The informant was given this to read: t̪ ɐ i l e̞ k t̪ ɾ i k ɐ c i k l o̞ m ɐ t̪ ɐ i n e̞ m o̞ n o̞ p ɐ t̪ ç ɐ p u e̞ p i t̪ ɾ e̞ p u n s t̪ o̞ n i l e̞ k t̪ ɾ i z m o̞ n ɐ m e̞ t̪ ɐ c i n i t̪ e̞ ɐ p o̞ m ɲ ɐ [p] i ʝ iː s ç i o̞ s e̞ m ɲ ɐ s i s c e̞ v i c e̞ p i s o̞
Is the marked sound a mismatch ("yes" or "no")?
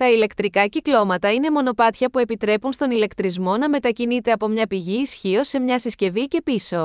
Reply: no